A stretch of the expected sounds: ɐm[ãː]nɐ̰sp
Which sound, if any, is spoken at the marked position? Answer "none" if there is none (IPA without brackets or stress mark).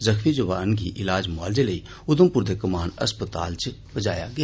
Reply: aː